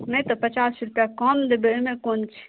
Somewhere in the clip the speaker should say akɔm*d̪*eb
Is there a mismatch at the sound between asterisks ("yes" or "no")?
no